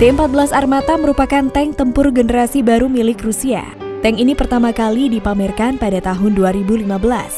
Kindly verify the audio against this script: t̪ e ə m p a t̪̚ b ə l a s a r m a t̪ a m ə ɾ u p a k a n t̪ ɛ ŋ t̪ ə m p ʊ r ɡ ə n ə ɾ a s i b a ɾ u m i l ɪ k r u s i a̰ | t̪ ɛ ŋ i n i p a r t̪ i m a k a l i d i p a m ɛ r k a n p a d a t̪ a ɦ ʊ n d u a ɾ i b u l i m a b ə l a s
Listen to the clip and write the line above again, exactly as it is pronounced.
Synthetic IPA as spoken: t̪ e ə m p a t̪̚ b ə l a s a r m a t̪ a m ə ɾ u p a k a n t̪ ɛ ŋ t̪ ə m p ʊ r ɡ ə n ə ɾ a s i b a ɾ u m i l ɪ k r u s i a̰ | t̪ ɛ ŋ i n i p ə r t̪ a m a k a l i d i p a m ɛ r k a n p a d a t̪ a ɦ ʊ n d u a ɾ i b u l i m a b ə l a s